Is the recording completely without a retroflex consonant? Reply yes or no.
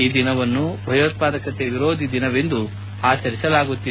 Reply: yes